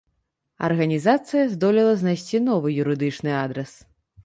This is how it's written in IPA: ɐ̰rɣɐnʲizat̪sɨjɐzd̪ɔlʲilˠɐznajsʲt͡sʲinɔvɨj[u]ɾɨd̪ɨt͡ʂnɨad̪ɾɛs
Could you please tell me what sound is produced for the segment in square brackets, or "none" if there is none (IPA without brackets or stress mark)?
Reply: u